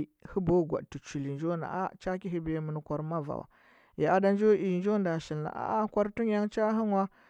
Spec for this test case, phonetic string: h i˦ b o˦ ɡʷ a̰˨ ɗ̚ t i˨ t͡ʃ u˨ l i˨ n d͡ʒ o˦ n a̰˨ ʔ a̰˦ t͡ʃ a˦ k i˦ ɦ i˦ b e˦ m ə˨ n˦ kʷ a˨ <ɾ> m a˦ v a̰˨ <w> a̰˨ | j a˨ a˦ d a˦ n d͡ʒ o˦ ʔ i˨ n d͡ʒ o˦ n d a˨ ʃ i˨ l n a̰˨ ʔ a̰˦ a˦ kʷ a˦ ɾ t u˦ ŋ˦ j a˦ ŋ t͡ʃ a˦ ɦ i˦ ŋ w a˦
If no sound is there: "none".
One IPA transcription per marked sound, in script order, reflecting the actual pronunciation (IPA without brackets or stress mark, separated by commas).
ɾ, w